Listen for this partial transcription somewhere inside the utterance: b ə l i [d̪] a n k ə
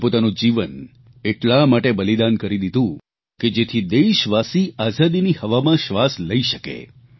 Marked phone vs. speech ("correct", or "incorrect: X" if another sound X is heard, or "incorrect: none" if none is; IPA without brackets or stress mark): correct